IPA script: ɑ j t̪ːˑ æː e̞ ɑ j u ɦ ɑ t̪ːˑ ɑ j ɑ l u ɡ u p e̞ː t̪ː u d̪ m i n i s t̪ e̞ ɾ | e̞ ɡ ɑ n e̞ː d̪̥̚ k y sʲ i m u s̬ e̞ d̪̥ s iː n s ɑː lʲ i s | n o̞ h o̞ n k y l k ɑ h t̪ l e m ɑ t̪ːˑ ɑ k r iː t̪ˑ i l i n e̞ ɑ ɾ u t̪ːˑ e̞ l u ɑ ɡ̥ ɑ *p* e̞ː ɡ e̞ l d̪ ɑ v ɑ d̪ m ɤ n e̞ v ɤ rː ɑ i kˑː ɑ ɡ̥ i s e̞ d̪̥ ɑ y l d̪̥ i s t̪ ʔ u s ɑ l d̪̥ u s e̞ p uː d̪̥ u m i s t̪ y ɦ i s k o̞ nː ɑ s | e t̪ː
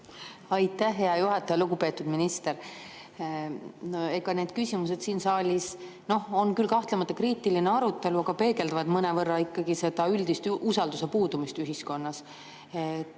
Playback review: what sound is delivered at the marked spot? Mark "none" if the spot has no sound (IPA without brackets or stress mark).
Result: p